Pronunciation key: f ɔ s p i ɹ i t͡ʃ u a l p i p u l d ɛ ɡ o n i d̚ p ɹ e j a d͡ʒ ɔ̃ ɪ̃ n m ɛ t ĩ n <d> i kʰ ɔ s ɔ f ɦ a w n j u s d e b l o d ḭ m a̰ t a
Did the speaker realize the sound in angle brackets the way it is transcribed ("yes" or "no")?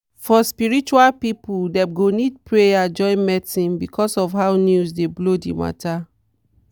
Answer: no